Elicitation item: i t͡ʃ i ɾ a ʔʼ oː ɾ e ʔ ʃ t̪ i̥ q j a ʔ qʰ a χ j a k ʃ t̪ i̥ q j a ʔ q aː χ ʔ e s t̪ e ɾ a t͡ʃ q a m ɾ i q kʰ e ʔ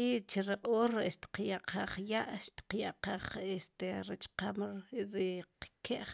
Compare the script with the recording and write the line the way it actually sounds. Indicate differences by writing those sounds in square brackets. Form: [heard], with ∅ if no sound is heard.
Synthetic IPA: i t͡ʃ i ɾ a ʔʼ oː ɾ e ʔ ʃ t̪ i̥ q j a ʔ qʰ a χ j a [ʔ] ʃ t̪ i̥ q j a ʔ q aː χ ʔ e s t̪ e ɾ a t͡ʃ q a m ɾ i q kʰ e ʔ